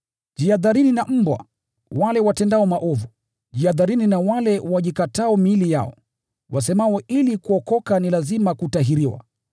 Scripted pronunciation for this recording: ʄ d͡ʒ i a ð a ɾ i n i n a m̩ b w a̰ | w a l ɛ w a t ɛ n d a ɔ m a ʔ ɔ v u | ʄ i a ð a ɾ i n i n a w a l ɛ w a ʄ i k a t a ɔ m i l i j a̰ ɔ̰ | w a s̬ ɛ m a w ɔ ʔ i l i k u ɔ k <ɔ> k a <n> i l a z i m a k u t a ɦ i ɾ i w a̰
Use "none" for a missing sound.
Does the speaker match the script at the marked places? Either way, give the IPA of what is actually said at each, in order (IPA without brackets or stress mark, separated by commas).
ɔ, n